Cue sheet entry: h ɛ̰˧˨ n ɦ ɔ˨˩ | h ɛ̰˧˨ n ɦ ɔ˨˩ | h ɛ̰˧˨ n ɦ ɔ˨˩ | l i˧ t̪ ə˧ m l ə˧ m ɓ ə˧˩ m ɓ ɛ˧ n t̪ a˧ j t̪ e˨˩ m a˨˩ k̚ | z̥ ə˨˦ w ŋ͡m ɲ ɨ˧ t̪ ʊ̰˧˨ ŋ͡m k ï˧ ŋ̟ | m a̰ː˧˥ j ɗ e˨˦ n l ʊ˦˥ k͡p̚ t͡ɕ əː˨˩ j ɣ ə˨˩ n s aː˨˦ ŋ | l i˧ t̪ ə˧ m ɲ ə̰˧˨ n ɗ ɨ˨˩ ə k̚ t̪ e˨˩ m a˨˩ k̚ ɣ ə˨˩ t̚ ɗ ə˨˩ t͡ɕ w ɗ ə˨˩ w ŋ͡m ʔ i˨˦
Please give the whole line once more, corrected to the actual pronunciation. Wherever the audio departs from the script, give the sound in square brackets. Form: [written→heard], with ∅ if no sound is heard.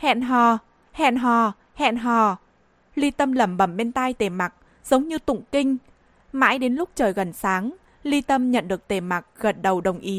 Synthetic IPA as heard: h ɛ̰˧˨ n ɦ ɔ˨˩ | h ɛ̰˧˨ n ɦ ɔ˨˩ | h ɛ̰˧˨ n ɦ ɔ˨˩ | l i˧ t̪ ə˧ m l [ə˧→ə˧˩] m ɓ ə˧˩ m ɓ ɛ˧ n t̪ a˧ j t̪ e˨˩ m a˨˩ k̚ | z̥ ə˨˦ w ŋ͡m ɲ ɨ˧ t̪ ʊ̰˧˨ ŋ͡m k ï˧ ŋ̟ | m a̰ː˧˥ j ɗ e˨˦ n l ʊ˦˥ k͡p̚ t͡ɕ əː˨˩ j ɣ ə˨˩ n s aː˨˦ ŋ | l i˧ t̪ ə˧ m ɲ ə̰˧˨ n ɗ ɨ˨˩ ə k̚ t̪ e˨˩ m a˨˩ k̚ ɣ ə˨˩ t̚ ɗ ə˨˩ [t͡ɕ→∅] w ɗ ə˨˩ w ŋ͡m ʔ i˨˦